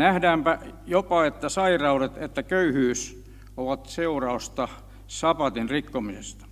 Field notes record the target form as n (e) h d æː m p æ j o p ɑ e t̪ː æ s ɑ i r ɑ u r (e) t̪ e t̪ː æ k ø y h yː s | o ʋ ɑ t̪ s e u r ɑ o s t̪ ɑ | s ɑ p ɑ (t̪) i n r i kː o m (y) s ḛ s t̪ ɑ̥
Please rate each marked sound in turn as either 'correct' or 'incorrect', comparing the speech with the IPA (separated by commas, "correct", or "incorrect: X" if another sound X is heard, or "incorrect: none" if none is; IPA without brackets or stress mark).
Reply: incorrect: æ, correct, correct, incorrect: i